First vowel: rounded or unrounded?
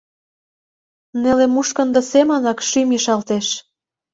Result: unrounded